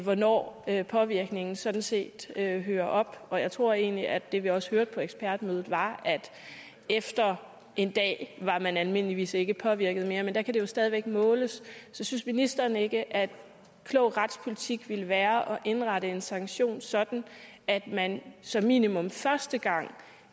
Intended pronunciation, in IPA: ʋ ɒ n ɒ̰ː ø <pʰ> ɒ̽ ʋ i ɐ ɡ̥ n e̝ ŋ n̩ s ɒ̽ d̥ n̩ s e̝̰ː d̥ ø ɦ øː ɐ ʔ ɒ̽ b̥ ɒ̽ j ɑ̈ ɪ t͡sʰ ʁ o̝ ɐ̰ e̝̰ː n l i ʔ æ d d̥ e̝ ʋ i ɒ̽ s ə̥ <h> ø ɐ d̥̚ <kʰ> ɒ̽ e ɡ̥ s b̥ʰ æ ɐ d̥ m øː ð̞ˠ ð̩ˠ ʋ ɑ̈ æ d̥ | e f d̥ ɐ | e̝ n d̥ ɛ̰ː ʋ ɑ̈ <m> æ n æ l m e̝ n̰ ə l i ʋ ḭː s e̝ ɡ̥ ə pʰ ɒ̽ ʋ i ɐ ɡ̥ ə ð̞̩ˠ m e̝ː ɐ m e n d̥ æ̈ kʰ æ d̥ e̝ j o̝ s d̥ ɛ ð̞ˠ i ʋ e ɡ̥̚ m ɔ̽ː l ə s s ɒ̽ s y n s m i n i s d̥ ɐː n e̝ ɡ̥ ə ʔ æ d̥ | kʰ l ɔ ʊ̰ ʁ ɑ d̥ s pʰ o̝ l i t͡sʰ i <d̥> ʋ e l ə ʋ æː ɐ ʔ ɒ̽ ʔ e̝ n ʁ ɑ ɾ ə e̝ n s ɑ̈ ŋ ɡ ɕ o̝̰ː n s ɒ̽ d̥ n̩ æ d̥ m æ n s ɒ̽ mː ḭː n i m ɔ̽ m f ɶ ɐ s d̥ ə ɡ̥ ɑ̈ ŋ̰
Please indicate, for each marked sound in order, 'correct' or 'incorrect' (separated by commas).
correct, correct, incorrect, correct, incorrect